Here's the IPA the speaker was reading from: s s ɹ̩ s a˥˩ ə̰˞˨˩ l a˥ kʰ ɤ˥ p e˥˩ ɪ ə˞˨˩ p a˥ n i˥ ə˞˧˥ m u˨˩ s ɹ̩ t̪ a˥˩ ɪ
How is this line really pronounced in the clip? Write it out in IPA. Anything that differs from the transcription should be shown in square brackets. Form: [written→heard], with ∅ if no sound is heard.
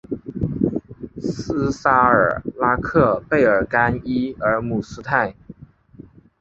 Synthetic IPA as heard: s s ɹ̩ s [a˥˩→a˥] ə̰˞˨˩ l a˥ kʰ [ɤ˥→ɤ˥˧] p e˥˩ ɪ ə˞˨˩ [p→k] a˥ n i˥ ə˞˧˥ m u˨˩ s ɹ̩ [t̪→t̪ʰ] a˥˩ ɪ